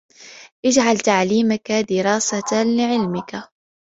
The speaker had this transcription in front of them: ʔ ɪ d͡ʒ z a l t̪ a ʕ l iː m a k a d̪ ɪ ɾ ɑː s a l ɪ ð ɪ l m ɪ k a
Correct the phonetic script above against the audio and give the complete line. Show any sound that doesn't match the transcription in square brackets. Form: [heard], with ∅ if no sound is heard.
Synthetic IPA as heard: ʔ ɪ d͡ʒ [ʕ] a l t̪ a ʕ l iː m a k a d̪ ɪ ɾ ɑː s a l ɪ [ʕ] ɪ l m ɪ k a